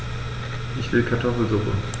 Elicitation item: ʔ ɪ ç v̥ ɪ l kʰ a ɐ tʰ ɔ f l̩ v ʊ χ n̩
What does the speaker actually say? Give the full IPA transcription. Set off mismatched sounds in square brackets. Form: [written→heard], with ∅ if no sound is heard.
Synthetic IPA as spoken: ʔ ɪ ç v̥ ɪ l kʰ a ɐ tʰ ɔ f l̩ [v→z] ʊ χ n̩